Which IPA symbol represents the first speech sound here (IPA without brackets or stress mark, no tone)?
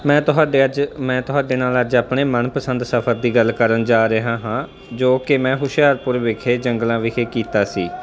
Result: m